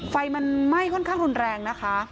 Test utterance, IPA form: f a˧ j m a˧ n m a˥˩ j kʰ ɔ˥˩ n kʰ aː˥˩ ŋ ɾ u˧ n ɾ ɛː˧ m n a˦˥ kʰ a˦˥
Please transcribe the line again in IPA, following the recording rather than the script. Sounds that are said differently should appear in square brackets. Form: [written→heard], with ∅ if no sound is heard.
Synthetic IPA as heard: f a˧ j m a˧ n m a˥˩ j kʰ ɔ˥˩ n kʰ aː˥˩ ŋ ɾ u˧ n ɾ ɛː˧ [m→ŋ] n a˦˥ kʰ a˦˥